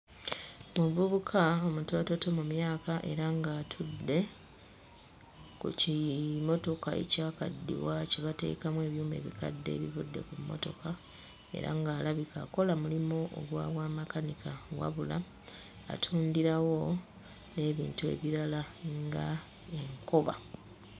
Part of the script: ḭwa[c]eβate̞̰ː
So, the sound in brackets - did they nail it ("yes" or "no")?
yes